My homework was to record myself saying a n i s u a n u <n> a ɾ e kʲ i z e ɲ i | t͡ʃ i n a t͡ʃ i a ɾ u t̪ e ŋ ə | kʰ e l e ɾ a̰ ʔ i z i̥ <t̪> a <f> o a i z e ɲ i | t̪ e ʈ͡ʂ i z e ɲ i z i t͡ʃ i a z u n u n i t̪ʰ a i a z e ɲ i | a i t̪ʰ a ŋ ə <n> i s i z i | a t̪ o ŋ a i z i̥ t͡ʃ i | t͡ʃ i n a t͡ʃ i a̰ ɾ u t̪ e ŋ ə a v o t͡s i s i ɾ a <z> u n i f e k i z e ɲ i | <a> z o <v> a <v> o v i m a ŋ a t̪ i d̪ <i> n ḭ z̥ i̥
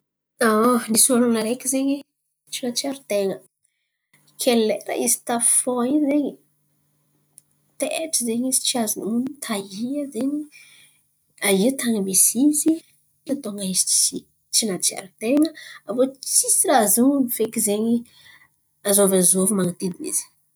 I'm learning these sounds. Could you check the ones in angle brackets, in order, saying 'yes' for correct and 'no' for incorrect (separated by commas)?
yes, yes, yes, no, yes, yes, yes, no, yes